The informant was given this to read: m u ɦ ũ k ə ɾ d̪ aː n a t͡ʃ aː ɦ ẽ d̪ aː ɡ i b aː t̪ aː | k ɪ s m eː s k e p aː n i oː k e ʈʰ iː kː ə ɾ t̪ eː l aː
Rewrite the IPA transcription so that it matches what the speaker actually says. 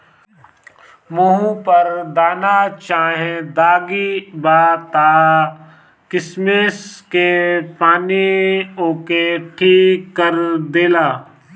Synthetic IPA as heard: m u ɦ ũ p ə ɾ d̪ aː n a t͡ʃ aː ɦ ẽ d̪ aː ɡ i b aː t̪ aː | k ɪ s m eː s k e p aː n i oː k e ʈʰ iː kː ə ɾ d̪ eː l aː

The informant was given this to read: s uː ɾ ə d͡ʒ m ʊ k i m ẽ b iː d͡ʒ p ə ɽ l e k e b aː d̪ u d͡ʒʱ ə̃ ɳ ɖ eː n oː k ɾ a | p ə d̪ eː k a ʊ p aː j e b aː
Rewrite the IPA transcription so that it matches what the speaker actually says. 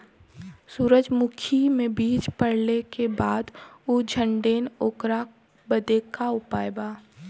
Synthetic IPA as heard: s uː ɾ ə d͡ʒ m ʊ kʰ i m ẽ b iː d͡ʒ p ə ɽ l e k e b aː d̪ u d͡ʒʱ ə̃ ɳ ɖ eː n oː k ɾ a | b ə d̪ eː k a ʊ p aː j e b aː

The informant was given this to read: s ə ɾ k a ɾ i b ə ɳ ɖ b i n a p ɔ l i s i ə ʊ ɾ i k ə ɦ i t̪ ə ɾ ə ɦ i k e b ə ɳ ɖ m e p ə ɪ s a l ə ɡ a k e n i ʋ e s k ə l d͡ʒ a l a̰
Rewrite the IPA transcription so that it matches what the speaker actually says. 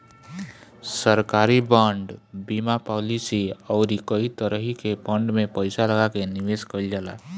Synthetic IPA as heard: s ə ɾ k a ɾ i b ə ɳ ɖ b i m a p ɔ l i s i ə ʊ ɾ i k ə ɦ i t̪ ə ɾ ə ɦ i k e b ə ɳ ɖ m e p ə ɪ s a l ə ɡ a k e n i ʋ e s k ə l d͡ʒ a l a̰

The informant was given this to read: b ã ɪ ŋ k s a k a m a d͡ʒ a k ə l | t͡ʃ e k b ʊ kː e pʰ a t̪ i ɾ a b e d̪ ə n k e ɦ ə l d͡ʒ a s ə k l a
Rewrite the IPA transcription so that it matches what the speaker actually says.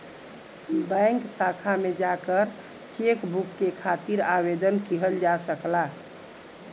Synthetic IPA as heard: b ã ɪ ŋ k s a kʰ a m e d͡ʒ a k ə ɾ | t͡ʃ e k b u kː e kʰ a t̪ i ɾ a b e d̪ ə n k i ɦ ə l d͡ʒ a s ə k l a

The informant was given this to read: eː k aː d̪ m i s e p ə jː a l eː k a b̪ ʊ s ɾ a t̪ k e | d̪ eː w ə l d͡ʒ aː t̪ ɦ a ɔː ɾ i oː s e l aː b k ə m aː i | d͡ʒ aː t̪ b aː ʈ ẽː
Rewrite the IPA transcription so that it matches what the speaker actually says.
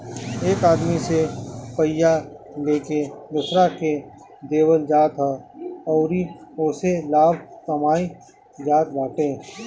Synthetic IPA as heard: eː k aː d̪ m i s e p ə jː a l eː k e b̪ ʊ s ɾ a k e | d̪ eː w ə l d͡ʒ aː t̪ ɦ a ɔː ɾ i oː s e l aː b k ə m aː i | d͡ʒ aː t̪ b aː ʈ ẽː

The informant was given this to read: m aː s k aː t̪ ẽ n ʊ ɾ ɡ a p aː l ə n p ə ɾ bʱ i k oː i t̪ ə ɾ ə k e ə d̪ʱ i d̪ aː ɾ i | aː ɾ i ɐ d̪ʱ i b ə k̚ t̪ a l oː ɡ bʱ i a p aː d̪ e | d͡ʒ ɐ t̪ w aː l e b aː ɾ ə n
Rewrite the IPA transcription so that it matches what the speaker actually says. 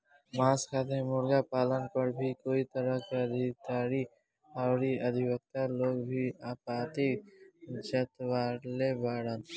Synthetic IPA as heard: m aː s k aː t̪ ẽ m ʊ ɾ ɡ a p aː l ə n p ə ɾ bʱ i k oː i t̪ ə ɾ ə k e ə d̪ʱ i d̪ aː ɾ i | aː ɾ i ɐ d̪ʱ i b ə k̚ t̪ a l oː ɡ bʱ i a p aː t̪ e | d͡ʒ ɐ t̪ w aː l e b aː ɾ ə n

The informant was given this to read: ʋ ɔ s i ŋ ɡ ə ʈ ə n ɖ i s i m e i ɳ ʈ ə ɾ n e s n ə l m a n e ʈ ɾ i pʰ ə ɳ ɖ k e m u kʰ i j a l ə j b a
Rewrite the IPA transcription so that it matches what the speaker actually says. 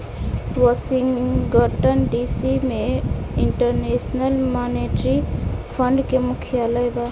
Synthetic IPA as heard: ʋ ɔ s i ŋ ɡ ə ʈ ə n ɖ i s i m e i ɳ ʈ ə ɾ n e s n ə l m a n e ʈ ɾ i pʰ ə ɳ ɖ k e m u kʰ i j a l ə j b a

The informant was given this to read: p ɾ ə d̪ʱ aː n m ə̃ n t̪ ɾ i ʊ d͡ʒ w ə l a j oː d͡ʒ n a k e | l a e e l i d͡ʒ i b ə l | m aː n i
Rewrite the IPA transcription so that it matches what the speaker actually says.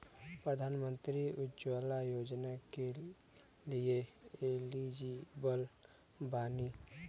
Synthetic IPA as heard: p ɾ ə d̪ʱ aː n m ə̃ n t̪ ɾ i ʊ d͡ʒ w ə l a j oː d͡ʒ n a k e | l i e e l i d͡ʒ i b ə l | b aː n i

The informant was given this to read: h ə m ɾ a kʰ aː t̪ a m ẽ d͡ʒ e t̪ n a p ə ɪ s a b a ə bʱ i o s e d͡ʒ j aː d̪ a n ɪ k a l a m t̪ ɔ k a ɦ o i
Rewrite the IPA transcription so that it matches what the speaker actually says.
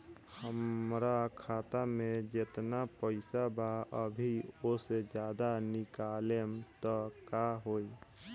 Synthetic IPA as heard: h ə m ɾ a kʰ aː t̪ a m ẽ d͡ʒ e t̪ n a p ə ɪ s a b a ə bʱ i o s e d͡ʒ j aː d̪ a n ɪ k a l e m t̪ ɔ k a ɦ o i

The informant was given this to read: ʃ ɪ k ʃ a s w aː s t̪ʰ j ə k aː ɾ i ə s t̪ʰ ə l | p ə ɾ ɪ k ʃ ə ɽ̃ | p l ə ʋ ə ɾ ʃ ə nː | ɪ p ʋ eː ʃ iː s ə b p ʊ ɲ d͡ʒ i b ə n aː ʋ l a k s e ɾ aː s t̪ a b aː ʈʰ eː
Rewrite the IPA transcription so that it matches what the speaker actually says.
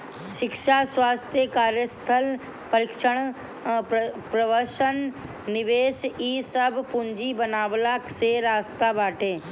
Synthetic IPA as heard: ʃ ɪ k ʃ a s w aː s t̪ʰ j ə k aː ɾ j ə s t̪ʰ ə l | p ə ɾ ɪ k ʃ ə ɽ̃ | p ɾ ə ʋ ə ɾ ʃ ə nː | ɪ ʋ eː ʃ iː s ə b p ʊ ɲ d͡ʒ i b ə n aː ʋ l a k s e ɾ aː s t̪ a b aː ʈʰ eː

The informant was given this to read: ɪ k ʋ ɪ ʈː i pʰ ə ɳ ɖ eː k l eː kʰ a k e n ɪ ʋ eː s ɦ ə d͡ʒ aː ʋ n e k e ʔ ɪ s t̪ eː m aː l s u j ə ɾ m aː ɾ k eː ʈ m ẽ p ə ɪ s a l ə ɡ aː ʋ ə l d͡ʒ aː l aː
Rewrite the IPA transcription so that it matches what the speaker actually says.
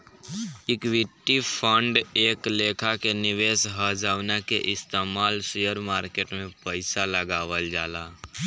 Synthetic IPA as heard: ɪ k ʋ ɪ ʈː i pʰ ə ɳ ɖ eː k l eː kʰ a k e n ɪ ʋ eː s ɦ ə d͡ʒ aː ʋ n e k e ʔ ɪ s t̪ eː m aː l s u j ə ɾ m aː ɾ k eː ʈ m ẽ p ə ɪ s a l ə ɡ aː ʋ ə l d͡ʒ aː l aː

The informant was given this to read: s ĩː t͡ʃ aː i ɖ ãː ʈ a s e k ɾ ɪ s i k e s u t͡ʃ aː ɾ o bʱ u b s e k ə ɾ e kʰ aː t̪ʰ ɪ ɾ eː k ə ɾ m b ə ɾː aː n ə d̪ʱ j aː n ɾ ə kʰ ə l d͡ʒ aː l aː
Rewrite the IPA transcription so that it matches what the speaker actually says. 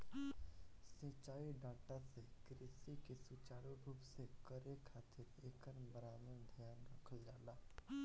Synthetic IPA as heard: s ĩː t͡ʃ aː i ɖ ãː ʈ a s e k ɾ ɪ s i k e s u t͡ʃ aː ɾ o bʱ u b s e k ə ɾ e kʰ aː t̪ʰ ɪ ɾ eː k ə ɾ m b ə ɾ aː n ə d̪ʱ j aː n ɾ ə kʰ ə l d͡ʒ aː l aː

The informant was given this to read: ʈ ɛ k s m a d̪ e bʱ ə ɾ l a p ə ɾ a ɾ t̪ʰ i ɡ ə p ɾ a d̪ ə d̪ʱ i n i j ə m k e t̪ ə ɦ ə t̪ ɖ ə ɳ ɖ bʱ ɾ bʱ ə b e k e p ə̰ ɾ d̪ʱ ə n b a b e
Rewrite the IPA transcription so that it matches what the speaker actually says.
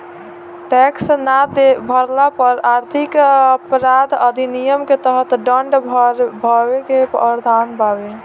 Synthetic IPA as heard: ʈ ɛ k s n a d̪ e bʱ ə ɾ l a p ə ɾ a ɾ t̪ʰ i k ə p ɾ a d̪ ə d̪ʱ i n i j ə m k e t̪ ə ɦ ə t̪ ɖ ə ɳ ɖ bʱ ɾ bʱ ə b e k e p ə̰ ɾ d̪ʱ a n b a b e

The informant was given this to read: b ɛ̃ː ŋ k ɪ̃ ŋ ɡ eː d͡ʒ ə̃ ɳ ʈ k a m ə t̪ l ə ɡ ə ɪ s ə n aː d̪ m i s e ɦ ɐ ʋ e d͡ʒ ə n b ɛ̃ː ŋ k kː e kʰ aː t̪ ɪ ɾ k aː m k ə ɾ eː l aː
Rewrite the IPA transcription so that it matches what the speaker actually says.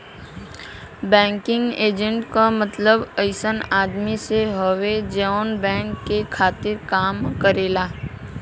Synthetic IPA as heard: b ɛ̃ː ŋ k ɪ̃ ŋ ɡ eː d͡ʒ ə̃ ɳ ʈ k a m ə t̪ l ə b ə ɪ s ə n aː d̪ m i s e ɦ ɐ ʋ e d͡ʒ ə n b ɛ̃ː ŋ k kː e kʰ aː t̪ ɪ ɾ k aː m k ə ɾ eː l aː

